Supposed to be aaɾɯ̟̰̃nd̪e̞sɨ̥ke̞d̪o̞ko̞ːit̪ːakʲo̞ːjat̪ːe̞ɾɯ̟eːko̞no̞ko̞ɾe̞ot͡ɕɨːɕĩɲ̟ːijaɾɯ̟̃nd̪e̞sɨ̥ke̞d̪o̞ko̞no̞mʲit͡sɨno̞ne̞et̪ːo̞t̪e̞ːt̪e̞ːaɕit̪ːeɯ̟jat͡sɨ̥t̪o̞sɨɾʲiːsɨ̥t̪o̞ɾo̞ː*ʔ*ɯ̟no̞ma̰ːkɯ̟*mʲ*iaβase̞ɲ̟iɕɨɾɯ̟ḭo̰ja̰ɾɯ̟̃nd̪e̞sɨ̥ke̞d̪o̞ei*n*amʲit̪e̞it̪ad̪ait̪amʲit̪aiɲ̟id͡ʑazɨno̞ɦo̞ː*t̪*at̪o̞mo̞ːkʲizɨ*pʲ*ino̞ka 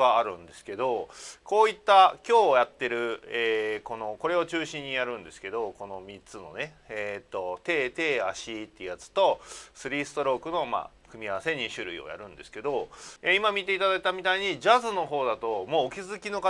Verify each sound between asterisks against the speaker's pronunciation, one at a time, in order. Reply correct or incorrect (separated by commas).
incorrect, correct, incorrect, incorrect, incorrect